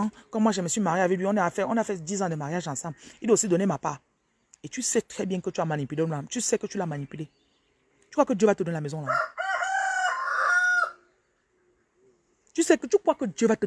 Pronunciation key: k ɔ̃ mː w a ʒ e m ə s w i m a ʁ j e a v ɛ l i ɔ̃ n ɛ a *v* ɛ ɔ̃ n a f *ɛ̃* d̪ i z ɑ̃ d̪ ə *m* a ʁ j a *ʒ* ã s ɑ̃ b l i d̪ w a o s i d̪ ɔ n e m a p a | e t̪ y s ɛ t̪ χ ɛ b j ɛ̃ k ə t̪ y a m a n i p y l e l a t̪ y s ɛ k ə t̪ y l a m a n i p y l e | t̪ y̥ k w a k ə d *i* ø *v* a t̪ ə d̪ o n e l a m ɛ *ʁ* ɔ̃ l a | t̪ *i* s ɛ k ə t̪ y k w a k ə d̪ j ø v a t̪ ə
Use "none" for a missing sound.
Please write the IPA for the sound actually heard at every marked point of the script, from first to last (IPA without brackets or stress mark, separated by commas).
f, ɛ, m, ʒ, j, v, z, y